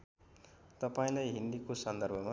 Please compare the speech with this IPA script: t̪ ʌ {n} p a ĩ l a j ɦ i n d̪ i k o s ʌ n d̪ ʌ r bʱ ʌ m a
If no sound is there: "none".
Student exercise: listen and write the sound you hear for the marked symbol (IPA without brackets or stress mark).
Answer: none